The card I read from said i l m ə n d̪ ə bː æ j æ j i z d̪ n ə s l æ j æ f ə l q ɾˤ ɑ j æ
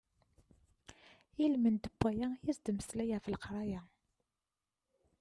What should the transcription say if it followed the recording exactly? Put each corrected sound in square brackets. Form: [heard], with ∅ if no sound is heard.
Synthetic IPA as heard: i l m ə n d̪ ə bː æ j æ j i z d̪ [m] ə s l æ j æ f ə l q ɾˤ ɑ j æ